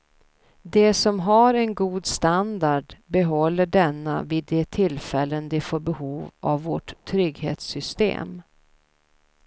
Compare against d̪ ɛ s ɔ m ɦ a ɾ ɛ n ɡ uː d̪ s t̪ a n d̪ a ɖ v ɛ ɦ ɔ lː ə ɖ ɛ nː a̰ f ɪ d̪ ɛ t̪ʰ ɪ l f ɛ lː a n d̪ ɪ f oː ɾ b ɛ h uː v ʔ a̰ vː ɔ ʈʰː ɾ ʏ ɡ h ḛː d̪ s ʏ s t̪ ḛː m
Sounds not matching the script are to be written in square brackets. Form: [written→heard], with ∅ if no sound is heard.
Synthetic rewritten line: d̪ ɛ s ɔ m ɦ a ɾ ɛ n ɡ uː d̪ s t̪ a n d̪ a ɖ [v→b] ɛ ɦ ɔ lː ə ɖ ɛ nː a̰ [f→v] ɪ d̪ ɛ t̪ʰ ɪ l f ɛ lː [a→ə] n d̪ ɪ f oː ɾ b ɛ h uː v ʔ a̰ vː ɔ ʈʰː ɾ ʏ ɡ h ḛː [d̪→t̪] s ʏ s t̪ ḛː m

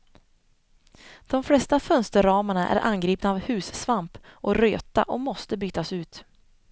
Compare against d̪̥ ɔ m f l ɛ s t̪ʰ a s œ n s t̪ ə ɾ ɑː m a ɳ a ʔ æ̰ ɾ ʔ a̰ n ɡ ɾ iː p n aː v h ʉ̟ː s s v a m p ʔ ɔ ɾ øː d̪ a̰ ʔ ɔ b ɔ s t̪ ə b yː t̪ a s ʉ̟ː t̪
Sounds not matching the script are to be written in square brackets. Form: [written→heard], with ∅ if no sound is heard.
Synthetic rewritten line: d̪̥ ɔ m f l ɛ s [t̪ʰ→t̪] a [s→f] œ n s t̪ ə ɾ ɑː m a ɳ a ʔ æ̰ ɾ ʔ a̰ n ɡ ɾ iː p n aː v h ʉ̟ː s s v a m p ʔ ɔ ɾ øː [d̪→t̪] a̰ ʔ ɔ [b→m] ɔ s t̪ ə b yː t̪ a s ʉ̟ː t̪

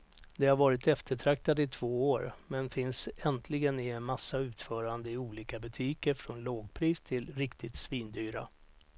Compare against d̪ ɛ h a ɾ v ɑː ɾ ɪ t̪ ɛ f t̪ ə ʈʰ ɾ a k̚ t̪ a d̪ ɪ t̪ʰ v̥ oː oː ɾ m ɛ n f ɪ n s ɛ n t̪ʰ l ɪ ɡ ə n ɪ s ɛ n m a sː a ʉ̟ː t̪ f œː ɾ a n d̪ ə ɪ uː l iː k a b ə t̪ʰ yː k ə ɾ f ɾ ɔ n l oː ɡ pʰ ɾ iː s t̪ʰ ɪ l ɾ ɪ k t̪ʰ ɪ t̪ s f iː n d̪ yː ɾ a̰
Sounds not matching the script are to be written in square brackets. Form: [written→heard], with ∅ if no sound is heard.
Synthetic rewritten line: d̪ ɛ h a ɾ v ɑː ɾ ɪ t̪ ɛ f t̪ ə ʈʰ ɾ a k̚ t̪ a d̪ ɪ t̪ʰ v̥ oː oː ɾ m ɛ n f ɪ n s ɛ n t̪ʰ l ɪ ɡ ə n ɪ [s→∅] ɛ n m a sː a ʉ̟ː t̪ f œː ɾ a n d̪ ə ɪ uː l iː k a b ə t̪ʰ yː k ə ɾ f ɾ ɔ n l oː ɡ pʰ ɾ iː s t̪ʰ ɪ l ɾ ɪ k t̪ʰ ɪ t̪ s [f→v] iː n d̪ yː ɾ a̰

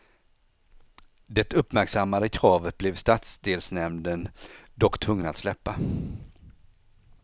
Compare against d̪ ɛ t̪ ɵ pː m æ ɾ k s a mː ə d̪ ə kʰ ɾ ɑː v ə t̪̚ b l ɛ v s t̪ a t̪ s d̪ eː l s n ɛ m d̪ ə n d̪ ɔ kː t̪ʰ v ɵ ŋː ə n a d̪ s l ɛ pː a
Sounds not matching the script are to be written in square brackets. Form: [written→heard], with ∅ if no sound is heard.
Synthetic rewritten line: d̪ ɛ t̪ ɵ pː m æ ɾ k s a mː [ə→a] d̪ ə kʰ ɾ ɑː v ə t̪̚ b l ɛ v s t̪ a t̪ s d̪ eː l s n ɛ m d̪ ə n d̪ ɔ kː t̪ʰ v ɵ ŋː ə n a [d̪→t̪] s l ɛ pː a

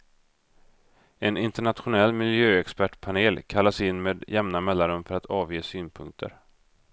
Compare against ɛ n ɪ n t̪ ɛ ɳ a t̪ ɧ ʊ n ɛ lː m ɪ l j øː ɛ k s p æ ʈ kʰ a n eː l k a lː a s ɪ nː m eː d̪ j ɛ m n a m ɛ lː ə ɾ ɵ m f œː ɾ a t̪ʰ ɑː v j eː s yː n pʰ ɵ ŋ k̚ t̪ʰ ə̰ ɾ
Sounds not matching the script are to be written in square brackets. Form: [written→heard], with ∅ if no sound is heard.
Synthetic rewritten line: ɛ n ɪ n t̪ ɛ ɳ a t̪ ɧ ʊ n ɛ lː m ɪ l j øː ɛ k s p æ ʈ [kʰ→pʰ] a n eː l [k→kʰ] a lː a s ɪ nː m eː d̪ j ɛ m n a m ɛ lː [ə→a] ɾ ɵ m f [œː→œ] ɾ a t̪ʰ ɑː v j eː s yː n pʰ ɵ ŋ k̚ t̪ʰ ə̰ ɾ

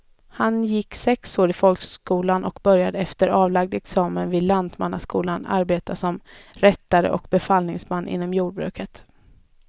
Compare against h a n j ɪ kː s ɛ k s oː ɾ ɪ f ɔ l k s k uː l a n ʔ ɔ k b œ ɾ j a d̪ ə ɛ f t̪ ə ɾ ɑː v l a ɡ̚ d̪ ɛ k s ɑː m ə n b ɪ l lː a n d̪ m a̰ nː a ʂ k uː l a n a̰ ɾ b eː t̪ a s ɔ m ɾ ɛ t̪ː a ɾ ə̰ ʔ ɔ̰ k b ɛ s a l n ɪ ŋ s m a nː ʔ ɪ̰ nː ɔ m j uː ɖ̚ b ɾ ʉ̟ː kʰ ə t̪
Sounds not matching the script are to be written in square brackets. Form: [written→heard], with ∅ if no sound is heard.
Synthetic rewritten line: h a n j ɪ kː s ɛ k s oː ɾ ɪ f ɔ l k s k uː l a n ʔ ɔ k b œ ɾ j a d̪ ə ɛ f t̪ ə ɾ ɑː v l a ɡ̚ d̪ ɛ k s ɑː m ə n [b→v] ɪ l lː a n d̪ m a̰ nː a [ʂ→s] k uː l a n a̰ ɾ b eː t̪ a s ɔ m ɾ ɛ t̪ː a ɾ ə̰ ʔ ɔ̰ k b ɛ [s→f] a l n ɪ ŋ s m a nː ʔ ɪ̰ nː ɔ m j uː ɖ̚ b ɾ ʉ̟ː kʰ ə t̪

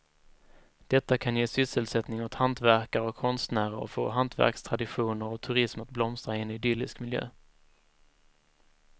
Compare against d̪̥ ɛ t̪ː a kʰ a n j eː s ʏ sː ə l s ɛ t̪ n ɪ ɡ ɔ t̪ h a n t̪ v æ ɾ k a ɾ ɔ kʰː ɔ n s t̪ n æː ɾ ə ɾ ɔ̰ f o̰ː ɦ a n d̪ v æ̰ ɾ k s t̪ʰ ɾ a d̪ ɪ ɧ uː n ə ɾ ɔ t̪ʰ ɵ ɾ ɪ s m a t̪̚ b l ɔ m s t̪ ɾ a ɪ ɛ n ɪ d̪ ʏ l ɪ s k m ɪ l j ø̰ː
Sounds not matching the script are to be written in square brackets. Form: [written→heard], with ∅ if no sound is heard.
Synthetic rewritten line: d̪̥ ɛ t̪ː a kʰ a n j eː s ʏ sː ə l s ɛ t̪ n ɪ [ɡ→ŋ] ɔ t̪ h a n t̪ v æ ɾ k a ɾ ɔ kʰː ɔ n s t̪ n æː ɾ ə ɾ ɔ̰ f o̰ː ɦ a n [d̪→t̪] v æ̰ ɾ k s t̪ʰ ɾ a d̪ ɪ ɧ uː n ə ɾ ɔ t̪ʰ ɵ ɾ ɪ s m a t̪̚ b l ɔ m s t̪ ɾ a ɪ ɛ n ɪ d̪ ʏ l ɪ s k m ɪ l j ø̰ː

